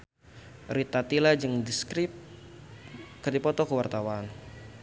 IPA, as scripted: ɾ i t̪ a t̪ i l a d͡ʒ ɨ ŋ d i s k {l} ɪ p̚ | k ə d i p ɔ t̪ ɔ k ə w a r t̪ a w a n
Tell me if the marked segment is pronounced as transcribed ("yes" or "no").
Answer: no